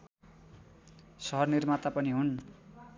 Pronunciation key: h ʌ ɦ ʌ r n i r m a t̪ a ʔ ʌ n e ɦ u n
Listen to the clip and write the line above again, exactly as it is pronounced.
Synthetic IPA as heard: s ʌ ɦ ʌ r n i r m a t̪ a p ʌ n i ɦ u n

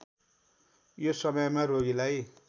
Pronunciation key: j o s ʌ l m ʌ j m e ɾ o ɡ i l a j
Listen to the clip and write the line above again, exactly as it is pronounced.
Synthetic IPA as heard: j o s ʌ m ʌ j m a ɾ o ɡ i l a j

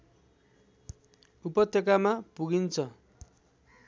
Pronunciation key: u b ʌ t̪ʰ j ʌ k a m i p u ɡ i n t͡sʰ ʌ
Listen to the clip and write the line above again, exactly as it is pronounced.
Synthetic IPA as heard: u p ʌ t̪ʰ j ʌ k a m a p u ɡ i n t͡sʰ ʌ

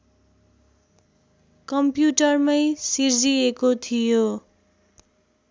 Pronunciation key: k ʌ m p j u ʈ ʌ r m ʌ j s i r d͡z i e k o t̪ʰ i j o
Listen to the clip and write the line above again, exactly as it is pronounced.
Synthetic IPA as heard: k ʌ m p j u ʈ ʌ r m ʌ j s i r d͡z i e k o t̪ʰ i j o

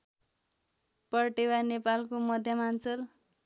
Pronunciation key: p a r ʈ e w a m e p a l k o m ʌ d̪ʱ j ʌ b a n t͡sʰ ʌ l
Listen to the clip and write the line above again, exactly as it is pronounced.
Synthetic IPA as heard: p ʌ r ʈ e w a n e p a l k o m ʌ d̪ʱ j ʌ m a n t͡s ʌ l

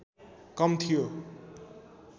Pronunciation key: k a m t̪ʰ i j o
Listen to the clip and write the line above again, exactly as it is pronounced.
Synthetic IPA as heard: k ʌ m t̪ʰ i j o

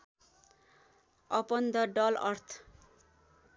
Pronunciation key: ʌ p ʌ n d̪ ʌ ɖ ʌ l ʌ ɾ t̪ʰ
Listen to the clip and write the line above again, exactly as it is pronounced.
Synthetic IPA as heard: ʌ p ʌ n d̪ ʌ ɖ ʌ l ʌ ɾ t̪ʰ

